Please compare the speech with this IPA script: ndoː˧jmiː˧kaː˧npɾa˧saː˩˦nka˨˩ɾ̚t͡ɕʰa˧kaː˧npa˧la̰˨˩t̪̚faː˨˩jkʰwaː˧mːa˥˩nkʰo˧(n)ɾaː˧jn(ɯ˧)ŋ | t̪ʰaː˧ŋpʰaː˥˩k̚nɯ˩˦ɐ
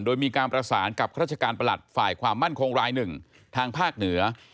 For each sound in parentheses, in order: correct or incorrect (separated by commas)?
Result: incorrect, incorrect